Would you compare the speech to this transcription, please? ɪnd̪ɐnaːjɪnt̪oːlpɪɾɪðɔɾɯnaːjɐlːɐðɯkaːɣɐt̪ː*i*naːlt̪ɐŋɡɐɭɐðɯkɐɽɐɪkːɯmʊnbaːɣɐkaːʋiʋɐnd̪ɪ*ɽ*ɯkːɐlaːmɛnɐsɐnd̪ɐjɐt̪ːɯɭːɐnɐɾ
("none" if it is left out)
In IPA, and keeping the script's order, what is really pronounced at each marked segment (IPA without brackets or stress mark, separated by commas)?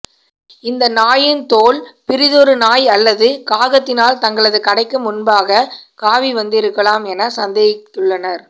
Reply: ɪ, ɾ